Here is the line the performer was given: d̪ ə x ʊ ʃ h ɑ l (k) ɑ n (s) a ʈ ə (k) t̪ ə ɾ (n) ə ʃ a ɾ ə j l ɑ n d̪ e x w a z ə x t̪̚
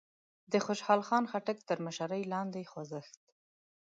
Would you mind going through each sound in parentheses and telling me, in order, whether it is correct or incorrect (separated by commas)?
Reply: incorrect, incorrect, correct, incorrect